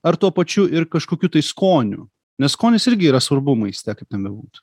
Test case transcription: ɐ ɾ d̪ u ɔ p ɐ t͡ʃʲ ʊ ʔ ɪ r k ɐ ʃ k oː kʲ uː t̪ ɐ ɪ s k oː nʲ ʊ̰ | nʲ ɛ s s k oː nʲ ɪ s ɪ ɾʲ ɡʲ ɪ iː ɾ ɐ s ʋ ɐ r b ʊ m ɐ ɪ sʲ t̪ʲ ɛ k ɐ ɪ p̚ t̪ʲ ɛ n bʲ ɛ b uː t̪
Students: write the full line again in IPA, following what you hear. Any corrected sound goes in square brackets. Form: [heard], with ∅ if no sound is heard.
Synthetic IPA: ɐ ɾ [t̪] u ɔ p ɐ t͡ʃʲ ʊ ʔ ɪ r k ɐ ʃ k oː kʲ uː t̪ ɐ ɪ s k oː nʲ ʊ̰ | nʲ ɛ s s k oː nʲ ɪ s ɪ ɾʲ ɡʲ ɪ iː ɾ ɐ s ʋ ɐ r b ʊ m ɐ ɪ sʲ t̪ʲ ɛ k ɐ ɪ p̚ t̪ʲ ɛ n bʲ ɛ b uː t̪